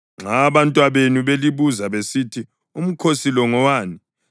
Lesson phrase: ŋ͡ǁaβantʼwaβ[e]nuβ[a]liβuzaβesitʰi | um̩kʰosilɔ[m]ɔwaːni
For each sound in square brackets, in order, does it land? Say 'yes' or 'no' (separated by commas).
yes, no, no